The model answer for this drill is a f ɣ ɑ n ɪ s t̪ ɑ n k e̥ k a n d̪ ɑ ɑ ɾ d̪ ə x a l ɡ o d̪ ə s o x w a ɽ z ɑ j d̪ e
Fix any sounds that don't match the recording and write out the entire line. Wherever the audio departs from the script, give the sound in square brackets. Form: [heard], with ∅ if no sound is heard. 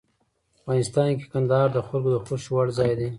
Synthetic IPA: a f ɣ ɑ n ɪ s t̪ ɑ n k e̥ k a n d̪ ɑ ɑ ɾ d̪ ə x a l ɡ o d̪ ə [x] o [ʃ] w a ɽ z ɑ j d̪ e